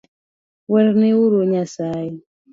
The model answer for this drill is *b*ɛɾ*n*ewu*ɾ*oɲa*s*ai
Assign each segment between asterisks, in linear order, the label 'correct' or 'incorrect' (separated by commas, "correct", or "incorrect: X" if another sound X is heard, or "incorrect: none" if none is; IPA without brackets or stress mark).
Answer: incorrect: w, correct, correct, correct